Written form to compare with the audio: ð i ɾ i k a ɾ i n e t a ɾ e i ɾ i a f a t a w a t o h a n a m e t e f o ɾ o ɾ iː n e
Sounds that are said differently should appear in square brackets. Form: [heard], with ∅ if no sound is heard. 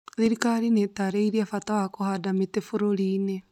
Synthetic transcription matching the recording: ð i ɾ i k a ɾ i n e t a ɾ e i ɾ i a f a t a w a [k] o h a [d] a m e t e f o ɾ o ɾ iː n e